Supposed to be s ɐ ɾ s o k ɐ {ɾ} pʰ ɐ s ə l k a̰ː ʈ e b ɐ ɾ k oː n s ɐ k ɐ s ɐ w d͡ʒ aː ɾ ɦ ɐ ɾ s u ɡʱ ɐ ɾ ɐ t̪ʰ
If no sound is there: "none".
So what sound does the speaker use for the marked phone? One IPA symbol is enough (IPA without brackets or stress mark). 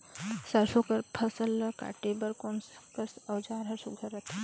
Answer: ɾ